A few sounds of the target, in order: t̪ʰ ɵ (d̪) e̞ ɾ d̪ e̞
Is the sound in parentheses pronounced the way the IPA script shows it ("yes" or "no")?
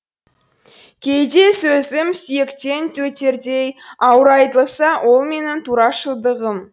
no